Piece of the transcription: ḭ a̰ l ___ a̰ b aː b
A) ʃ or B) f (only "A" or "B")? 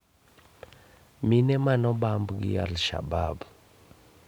A